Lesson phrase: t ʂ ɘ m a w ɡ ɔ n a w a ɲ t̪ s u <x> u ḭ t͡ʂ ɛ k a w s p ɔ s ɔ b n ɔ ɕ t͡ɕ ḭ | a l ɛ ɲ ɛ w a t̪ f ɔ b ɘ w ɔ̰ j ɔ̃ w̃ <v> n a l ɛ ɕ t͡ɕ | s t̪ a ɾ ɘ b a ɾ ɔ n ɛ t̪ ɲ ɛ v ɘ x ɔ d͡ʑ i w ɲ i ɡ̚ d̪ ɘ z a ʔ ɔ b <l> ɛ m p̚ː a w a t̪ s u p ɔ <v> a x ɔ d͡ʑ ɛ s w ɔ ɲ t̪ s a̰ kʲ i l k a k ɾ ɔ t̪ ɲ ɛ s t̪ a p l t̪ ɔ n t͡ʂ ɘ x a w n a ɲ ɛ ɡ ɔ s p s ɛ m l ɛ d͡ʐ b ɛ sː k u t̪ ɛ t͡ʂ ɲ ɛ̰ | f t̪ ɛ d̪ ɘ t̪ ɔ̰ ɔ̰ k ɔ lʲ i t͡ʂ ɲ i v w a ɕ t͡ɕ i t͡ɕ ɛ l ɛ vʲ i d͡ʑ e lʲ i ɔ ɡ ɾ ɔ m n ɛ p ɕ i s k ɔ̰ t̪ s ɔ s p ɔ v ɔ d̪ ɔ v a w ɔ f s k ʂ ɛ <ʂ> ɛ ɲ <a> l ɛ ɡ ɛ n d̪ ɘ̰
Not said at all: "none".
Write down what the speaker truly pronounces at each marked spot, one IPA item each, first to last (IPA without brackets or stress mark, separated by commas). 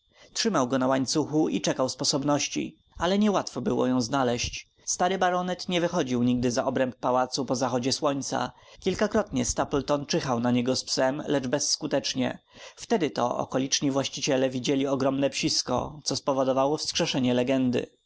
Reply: x, z, ɾ, z, ʂ, ɛ